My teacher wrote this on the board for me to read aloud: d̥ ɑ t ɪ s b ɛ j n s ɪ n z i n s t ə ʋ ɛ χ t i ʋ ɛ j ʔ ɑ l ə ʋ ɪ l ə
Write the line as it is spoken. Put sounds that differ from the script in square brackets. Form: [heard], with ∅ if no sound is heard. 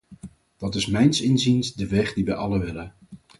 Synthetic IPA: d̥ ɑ t ɪ s [m] ɛ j n s ɪ n z i n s [d] ə ʋ ɛ χ [d] i ʋ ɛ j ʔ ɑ l ə ʋ ɪ l ə